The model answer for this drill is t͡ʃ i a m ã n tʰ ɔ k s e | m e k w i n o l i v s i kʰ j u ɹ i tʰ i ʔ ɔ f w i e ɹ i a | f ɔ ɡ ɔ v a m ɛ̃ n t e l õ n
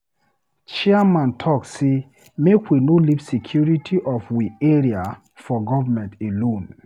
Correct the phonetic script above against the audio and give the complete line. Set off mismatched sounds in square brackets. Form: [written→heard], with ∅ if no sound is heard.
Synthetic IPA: t͡ʃ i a m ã n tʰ ɔ k s e | m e k w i n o l i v s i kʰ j u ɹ i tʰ i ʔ ɔ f w i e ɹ i a | f ɔ ɡ ɔ v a m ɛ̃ n t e l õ n